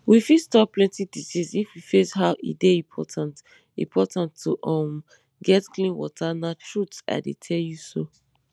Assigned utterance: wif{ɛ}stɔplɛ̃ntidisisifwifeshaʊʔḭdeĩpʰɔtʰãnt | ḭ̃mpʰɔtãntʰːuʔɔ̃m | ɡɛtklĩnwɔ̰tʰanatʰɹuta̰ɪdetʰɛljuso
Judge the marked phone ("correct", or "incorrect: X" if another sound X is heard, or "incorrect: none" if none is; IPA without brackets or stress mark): incorrect: i